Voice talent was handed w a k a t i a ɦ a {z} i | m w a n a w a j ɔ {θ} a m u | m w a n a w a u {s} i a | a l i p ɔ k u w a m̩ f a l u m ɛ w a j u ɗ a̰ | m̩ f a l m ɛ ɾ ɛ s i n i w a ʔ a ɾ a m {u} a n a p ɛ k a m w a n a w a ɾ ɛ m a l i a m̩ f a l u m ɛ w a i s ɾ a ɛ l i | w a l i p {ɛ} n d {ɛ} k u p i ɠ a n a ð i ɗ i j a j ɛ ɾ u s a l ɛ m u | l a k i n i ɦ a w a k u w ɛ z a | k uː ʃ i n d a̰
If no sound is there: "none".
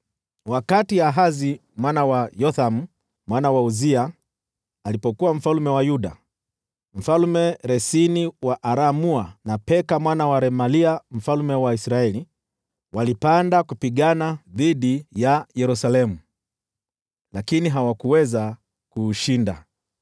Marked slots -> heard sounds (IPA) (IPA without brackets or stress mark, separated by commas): z, θ, z, u, a, a